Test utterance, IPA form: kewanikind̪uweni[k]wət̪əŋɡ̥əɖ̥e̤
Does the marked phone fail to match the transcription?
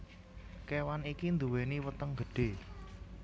yes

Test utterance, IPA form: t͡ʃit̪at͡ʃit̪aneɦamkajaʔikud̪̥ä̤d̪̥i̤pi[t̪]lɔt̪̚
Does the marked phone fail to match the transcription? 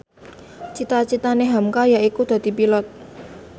yes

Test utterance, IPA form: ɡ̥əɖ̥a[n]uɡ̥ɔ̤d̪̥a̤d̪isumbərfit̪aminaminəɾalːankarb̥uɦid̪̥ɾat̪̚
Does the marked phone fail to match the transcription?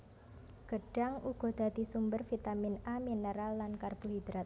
yes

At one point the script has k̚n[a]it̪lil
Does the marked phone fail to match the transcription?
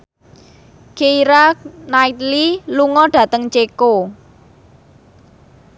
no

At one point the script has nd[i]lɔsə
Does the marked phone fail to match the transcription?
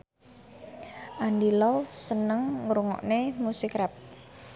no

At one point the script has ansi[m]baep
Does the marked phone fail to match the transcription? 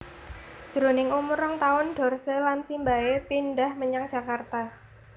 no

